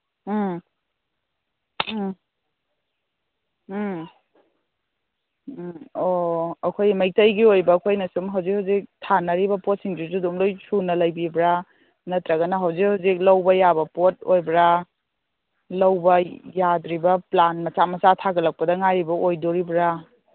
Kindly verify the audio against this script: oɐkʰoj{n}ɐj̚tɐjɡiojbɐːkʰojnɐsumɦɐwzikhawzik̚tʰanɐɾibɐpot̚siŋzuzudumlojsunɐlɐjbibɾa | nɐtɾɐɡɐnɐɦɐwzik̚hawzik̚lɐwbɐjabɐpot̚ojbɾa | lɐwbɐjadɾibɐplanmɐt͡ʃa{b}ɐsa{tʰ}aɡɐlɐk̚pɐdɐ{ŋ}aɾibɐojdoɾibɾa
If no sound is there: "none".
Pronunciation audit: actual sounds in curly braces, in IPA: m, m, tʰ, ŋ

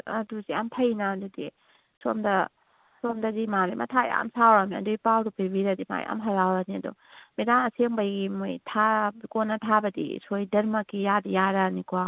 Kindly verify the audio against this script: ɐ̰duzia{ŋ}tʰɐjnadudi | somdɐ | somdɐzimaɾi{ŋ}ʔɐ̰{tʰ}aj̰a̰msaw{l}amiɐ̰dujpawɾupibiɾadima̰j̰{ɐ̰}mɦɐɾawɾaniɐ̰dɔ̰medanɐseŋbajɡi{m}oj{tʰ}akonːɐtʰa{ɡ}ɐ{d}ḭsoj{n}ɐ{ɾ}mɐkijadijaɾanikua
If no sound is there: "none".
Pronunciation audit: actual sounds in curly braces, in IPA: m, m, tʰ, ɾ, a̰, m, tʰ, b, d, d, ɾ

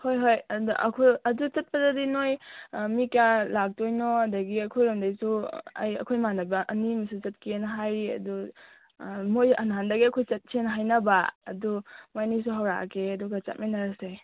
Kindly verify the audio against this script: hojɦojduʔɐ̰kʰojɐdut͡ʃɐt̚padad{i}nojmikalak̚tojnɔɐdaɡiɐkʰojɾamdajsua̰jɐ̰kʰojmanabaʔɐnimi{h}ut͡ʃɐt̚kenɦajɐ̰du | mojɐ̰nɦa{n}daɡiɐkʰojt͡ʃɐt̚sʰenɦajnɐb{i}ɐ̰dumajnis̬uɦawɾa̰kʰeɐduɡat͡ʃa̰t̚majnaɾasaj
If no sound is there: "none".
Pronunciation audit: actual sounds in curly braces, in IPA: i, s, n, a

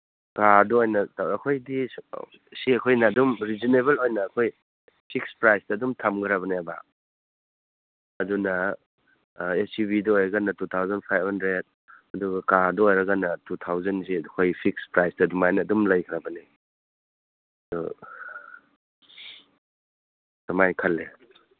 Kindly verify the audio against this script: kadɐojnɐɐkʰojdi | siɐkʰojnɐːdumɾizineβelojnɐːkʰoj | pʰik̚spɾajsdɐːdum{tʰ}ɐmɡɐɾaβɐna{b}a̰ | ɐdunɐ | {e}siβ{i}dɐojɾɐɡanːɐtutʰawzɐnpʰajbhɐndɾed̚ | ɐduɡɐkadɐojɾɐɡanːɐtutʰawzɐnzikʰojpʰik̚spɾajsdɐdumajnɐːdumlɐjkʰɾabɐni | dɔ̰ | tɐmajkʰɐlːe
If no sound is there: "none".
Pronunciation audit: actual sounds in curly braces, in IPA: tʰ, b, e, i

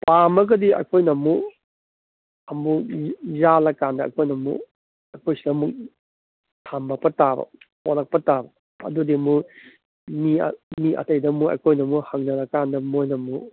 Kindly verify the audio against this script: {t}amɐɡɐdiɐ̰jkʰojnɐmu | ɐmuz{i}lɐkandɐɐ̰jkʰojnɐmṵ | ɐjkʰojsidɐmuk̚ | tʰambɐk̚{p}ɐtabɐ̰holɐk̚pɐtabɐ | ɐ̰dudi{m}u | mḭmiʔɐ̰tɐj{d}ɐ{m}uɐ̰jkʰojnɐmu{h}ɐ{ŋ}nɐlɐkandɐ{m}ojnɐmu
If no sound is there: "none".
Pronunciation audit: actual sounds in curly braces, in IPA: p, a, p, m, d, m, h, ŋ, m

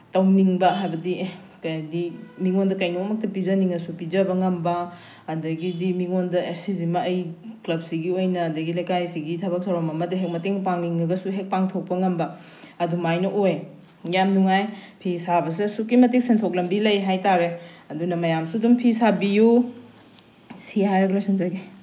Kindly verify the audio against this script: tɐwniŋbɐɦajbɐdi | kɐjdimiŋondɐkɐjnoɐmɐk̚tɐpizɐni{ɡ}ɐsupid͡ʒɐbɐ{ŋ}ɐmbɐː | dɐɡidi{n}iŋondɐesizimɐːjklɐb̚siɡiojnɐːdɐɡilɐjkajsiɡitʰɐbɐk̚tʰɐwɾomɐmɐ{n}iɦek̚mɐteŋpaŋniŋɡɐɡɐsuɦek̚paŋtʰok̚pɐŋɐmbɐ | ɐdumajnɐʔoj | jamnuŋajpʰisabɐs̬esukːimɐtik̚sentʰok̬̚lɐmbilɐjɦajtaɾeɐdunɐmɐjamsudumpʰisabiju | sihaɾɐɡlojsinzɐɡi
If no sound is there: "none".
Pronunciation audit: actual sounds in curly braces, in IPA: ŋ, ŋ, m, d

